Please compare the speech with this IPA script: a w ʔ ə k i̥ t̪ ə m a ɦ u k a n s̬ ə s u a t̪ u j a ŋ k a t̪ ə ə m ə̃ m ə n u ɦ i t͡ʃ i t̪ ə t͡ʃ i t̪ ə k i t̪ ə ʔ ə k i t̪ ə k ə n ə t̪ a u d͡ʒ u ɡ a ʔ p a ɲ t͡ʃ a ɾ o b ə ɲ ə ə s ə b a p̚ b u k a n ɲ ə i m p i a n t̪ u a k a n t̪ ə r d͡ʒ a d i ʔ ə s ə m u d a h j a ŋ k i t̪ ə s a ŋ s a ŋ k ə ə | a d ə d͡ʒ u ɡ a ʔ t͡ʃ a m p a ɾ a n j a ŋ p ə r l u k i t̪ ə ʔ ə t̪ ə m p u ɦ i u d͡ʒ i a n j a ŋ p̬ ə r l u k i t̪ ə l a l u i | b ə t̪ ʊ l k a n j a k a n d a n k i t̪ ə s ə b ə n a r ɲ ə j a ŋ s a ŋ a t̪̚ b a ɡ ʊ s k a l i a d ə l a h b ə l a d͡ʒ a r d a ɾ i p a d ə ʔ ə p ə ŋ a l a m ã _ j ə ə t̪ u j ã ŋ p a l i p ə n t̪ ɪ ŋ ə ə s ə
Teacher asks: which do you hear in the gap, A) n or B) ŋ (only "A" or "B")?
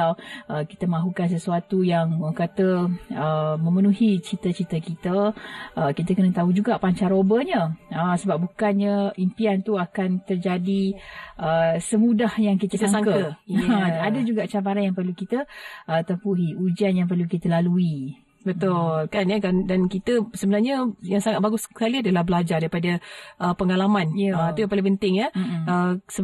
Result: A